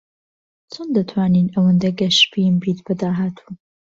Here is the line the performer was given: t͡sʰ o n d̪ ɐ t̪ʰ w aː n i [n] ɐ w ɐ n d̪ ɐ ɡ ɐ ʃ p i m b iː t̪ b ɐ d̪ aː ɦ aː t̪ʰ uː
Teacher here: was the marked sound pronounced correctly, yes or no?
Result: yes